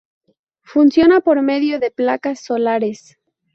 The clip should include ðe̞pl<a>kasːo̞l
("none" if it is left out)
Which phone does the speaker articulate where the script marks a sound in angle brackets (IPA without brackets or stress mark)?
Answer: a